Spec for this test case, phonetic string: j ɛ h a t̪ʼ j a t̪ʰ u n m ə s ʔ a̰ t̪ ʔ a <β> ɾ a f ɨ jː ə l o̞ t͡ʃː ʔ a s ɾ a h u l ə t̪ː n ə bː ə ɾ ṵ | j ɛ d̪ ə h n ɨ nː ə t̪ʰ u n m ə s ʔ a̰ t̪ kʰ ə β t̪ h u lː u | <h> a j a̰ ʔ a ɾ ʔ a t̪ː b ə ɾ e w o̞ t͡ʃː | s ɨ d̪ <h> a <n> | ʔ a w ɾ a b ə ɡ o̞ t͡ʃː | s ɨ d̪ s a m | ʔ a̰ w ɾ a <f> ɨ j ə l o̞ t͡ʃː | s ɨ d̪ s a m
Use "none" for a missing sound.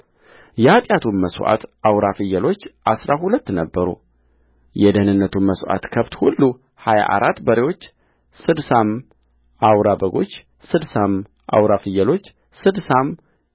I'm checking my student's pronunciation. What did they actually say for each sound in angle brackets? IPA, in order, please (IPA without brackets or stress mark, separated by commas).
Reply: w, h, s, m, f